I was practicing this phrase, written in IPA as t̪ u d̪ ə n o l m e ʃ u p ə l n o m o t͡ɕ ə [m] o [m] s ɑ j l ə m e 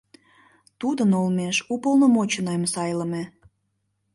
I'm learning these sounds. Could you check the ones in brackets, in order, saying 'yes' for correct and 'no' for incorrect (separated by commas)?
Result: no, yes